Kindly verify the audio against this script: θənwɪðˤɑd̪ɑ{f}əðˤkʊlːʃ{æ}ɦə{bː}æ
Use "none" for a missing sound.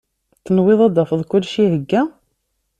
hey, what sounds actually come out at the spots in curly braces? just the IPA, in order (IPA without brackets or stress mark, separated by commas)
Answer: f, i, ɡː